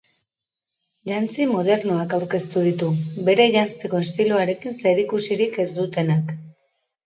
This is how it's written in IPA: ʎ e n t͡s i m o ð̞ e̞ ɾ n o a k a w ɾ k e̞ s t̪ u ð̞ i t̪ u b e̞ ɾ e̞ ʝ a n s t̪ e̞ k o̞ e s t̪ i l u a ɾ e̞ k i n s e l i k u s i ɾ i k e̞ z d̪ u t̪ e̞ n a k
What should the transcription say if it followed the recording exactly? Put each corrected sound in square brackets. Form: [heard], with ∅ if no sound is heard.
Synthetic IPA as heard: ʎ [a] n t͡s i m o ð̞ e̞ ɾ n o a k a w ɾ k e̞ s t̪ u ð̞ i t̪ u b e̞ ɾ e̞ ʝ a n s t̪ e̞ k o̞ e s t̪ i l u a ɾ e̞ k i n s e [ɾ] i k u s i ɾ i k e̞ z d̪ u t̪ e̞ n a k